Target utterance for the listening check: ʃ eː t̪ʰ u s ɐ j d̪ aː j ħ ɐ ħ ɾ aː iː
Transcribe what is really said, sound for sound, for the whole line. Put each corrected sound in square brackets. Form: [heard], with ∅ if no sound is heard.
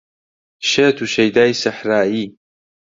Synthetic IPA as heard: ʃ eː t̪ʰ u [ʃ] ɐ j d̪ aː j [s] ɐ ħ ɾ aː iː